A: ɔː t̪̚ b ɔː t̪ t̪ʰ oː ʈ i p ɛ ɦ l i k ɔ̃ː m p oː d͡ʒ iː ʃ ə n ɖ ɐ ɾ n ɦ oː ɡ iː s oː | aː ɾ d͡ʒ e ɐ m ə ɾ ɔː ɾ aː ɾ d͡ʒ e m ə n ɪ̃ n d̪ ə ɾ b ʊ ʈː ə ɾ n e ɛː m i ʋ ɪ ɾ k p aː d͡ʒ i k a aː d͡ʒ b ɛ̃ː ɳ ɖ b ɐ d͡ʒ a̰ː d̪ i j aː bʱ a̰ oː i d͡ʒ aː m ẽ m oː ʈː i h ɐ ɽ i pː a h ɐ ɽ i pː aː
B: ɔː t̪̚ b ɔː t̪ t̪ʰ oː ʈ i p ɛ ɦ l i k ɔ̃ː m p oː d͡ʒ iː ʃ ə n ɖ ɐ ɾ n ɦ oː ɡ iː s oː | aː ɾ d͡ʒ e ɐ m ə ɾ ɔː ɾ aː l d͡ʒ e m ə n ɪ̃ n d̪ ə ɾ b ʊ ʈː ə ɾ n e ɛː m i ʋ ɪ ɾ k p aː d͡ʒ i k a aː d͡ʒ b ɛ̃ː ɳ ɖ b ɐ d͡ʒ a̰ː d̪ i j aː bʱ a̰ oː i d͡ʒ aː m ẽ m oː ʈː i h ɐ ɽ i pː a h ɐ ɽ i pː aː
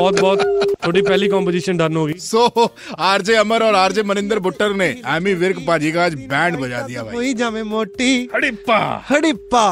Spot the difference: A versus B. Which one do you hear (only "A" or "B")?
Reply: A